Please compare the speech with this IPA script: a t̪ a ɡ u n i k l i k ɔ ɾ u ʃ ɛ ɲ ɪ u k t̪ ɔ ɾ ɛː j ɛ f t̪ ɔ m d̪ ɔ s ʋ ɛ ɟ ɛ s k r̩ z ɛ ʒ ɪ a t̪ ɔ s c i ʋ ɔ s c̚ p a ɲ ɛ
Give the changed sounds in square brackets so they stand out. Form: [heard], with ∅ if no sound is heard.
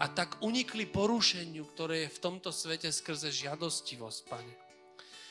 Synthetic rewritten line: a t̪ a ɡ u [ɲ] i k l i [p] ɔ ɾ u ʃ ɛ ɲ ɪ u k t̪ ɔ ɾ ɛː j ɛ f t̪ ɔ m [t̪] ɔ s ʋ ɛ [c] ɛ s k r̩ z ɛ ʒ ɪ a [d̪] ɔ s c i ʋ ɔ s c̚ p a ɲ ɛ